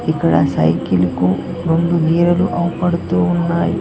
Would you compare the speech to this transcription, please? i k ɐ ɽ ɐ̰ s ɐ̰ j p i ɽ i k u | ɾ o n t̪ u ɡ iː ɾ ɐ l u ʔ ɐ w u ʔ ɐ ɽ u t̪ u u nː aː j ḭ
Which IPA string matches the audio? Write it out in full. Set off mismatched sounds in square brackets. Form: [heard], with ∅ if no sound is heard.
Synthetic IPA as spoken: i k ɐ ɽ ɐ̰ s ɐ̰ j [k] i [l] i k u | ɾ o n [d̪] u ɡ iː ɾ ɐ l u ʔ ɐ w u [p] ɐ ɽ u t̪ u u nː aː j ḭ